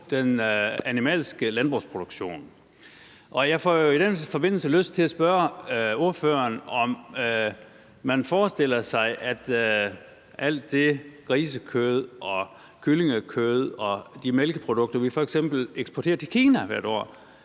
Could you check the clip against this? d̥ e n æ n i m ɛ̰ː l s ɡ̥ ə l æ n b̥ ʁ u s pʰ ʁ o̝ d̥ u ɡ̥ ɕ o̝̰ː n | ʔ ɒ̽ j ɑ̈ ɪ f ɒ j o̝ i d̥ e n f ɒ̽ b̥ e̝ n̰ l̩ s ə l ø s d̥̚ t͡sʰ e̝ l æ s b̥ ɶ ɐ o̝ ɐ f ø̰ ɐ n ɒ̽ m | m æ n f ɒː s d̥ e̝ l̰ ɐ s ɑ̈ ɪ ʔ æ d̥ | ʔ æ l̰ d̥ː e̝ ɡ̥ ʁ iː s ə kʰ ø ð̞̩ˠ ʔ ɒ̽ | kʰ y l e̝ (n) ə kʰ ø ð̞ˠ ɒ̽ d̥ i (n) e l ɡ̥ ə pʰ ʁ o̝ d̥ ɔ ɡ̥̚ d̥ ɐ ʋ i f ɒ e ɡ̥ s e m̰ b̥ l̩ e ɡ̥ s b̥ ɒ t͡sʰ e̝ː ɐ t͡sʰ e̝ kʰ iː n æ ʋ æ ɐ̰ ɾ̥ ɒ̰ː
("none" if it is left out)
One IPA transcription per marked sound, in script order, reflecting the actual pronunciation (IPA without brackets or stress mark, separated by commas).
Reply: ŋ, m